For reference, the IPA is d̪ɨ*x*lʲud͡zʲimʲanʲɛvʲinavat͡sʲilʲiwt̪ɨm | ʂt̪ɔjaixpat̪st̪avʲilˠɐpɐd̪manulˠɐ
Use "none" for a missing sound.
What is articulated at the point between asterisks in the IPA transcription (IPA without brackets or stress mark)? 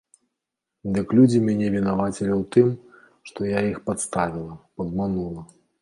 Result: k